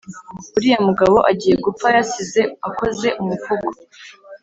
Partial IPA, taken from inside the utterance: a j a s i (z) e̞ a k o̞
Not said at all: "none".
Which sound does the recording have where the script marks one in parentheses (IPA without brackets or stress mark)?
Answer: z